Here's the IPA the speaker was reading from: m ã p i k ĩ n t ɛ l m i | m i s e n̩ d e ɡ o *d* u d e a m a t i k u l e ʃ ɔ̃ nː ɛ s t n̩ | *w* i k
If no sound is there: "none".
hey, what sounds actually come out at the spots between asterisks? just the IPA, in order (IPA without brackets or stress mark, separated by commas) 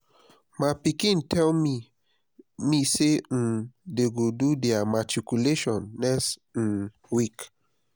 d, w